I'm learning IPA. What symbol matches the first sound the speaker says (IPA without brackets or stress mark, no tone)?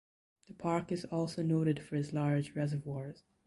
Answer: ð